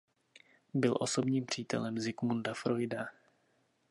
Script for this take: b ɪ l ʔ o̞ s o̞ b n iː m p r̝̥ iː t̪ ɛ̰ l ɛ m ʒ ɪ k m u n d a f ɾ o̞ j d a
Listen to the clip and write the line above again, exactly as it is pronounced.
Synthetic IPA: b ɪ l ʔ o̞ s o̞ b ɲ iː m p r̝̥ iː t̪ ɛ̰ l ɛ m z ɪ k m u n d a f ɾ o̞ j d a

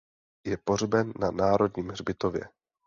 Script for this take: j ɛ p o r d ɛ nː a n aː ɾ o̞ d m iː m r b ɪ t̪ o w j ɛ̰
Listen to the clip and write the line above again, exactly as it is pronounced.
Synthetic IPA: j ɛ p o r b ɛ nː a n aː ɾ o̞ d ɲ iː m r b ɪ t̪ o v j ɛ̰

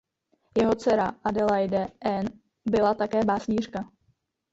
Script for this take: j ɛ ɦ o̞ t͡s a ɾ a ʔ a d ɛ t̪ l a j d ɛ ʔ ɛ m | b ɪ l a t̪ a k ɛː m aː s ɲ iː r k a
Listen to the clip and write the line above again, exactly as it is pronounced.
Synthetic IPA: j ɛ ɦ o̞ t͡s ɛ ɾ a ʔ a d ɛ l a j d ɛ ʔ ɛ n | b ɪ l a t̪ a k ɛː b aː s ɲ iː r k a

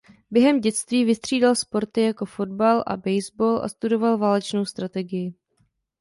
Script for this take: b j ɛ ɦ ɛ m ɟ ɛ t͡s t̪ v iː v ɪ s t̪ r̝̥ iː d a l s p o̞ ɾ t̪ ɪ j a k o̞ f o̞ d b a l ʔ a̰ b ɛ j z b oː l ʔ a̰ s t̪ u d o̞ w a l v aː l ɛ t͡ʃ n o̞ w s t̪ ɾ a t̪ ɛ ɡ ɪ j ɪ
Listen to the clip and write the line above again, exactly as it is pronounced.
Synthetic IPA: b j ɛ ɦ ɛ m ɟ ɛ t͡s t̪ v iː v ɪ s t̪ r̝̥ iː d a l s p o̞ ɾ t̪ ɪ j a k o̞ f o̞ d b a l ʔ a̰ b ɛ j z b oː l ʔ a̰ s t̪ u d o̞ v a l v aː l ɛ t͡ʃ n o̞ w s t̪ ɾ a t̪ ɛ ɡ ɪ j ɪ

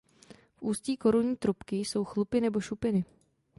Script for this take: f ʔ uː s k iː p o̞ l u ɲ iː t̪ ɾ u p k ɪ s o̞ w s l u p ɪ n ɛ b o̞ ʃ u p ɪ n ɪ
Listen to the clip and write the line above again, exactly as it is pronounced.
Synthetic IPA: f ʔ uː s c iː k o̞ ɾ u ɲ iː t̪ ɾ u p k ɪ s o̞ w x l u p ɪ n ɛ b o̞ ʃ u p ɪ n ɪ

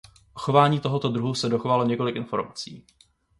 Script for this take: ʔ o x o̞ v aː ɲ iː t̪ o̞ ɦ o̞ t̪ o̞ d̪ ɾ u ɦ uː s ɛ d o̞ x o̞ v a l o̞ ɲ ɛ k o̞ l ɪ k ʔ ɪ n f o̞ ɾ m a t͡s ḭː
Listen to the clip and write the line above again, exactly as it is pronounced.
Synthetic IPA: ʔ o x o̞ v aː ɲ iː t̪ o̞ ɦ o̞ t̪ o̞ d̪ ɾ u ɦ u s ɛ d o̞ x o̞ v a l o̞ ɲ ɛ k o̞ l ɪ k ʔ ɪ n f o̞ ɾ m a t͡s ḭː

